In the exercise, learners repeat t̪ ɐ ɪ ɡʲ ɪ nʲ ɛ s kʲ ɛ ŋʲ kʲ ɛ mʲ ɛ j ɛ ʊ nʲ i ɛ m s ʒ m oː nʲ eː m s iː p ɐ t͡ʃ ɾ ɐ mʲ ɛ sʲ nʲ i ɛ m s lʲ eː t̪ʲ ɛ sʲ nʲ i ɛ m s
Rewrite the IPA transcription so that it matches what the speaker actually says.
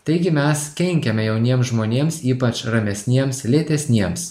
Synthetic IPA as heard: t̪ ɐ ɪ ɡʲ ɪ mʲ ɛ s kʲ ɛ ŋʲ kʲ ɛ mʲ ɛ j ɛ ʊ nʲ i ɛ m s ʒ m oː nʲ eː m s iː p ɐ t͡ʃ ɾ ɐ mʲ ɛ sʲ nʲ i ɛ m s lʲ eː t̪ʲ ɛ sʲ nʲ i ɛ m s